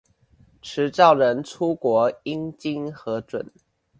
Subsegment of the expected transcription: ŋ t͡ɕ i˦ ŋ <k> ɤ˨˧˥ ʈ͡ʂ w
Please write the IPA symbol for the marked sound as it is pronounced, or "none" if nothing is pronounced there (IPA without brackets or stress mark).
x